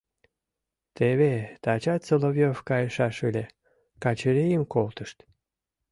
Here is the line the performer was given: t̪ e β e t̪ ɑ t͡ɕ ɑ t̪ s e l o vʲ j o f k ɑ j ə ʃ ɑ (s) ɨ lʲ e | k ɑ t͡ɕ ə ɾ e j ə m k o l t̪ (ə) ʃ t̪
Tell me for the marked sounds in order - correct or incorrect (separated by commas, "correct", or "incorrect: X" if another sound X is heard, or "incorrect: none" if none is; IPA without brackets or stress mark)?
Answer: incorrect: ʃ, correct